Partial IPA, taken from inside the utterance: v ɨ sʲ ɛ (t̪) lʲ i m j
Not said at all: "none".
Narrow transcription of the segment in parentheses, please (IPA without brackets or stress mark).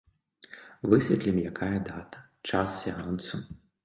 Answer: t̪